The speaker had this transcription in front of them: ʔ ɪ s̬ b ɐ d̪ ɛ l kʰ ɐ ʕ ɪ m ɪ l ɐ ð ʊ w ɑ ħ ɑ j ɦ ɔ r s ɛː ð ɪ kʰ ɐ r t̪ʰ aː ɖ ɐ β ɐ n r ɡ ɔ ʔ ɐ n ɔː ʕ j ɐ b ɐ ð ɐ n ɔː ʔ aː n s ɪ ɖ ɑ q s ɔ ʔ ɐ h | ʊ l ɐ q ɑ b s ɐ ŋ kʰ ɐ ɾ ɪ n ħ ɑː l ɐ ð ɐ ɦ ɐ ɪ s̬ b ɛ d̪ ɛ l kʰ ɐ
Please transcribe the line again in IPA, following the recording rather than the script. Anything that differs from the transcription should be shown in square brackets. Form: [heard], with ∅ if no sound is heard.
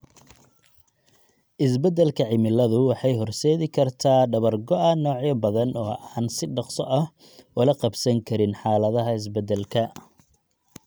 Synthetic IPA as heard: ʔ ɪ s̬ b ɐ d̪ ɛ l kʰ ɐ ʕ ɪ m ɪ l ɐ ð ʊ w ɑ ħ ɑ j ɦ ɔ r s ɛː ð ɪ kʰ ɐ r t̪ʰ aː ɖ ɐ β ɐ [∅] r ɡ ɔ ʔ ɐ n ɔː ʕ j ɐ b ɐ ð ɐ n ɔː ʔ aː n s ɪ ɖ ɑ q s ɔ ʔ ɐ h | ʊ l ɐ q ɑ b s ɐ ŋ kʰ ɐ ɾ ɪ n ħ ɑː l ɐ ð ɐ ɦ ɐ ɪ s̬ b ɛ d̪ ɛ l kʰ ɐ